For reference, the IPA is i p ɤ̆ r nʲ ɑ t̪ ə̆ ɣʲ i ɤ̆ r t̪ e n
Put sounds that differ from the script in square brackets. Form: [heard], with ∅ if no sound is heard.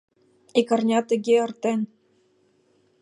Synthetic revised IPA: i [k] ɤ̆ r nʲ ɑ t̪ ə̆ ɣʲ [e] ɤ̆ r t̪ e n